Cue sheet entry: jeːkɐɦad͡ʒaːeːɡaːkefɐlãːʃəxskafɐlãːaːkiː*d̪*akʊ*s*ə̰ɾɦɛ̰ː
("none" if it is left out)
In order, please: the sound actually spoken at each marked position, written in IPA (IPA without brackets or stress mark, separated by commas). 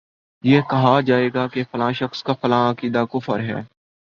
d̪, f